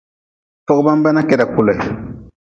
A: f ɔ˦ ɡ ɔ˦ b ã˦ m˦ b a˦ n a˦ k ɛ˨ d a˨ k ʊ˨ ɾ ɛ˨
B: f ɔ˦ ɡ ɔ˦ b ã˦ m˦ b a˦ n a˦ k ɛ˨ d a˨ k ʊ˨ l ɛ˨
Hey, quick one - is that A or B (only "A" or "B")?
B